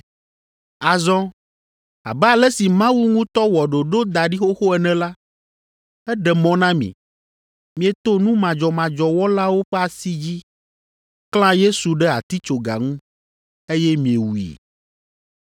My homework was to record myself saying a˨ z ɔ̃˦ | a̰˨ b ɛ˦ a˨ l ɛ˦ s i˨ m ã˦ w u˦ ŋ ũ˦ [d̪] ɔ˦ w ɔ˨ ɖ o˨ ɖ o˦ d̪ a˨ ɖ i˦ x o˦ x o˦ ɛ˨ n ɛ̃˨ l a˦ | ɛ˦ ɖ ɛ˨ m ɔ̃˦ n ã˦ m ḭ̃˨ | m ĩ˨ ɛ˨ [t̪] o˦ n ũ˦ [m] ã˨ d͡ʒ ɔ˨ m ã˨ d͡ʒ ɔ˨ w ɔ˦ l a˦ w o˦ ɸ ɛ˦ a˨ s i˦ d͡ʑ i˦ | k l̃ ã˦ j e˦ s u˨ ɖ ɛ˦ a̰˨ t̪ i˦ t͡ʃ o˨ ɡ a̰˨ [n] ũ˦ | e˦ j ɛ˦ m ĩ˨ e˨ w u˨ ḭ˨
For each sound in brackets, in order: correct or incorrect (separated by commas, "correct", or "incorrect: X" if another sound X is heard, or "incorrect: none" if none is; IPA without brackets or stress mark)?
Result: incorrect: t̪, correct, correct, incorrect: ŋ